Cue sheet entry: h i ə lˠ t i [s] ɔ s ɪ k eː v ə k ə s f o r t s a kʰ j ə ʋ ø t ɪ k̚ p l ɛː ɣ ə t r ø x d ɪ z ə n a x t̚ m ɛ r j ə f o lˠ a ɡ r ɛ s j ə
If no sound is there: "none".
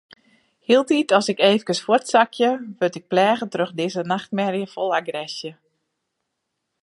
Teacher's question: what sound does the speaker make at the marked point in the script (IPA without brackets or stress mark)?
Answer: t